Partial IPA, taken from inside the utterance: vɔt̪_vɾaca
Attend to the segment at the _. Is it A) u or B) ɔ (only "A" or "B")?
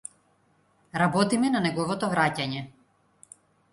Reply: B